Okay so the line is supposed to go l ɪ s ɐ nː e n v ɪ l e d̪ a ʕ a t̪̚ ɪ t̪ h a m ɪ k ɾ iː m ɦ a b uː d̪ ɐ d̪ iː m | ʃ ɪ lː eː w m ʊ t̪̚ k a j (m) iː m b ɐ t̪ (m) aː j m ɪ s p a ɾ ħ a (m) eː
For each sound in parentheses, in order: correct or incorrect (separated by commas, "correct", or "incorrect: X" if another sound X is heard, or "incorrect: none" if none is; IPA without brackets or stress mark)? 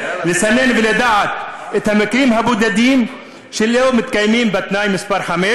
correct, incorrect: n, correct